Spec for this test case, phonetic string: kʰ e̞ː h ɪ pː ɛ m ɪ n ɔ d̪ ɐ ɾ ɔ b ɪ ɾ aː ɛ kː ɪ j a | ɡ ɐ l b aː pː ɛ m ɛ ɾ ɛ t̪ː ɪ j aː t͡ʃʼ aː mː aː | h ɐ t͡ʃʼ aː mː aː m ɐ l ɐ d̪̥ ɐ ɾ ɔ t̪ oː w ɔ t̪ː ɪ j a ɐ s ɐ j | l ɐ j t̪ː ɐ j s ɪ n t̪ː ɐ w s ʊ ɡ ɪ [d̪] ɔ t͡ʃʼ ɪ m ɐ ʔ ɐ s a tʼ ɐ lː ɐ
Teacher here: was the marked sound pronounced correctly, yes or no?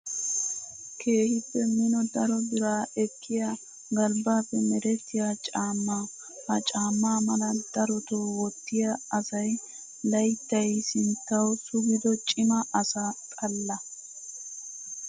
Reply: yes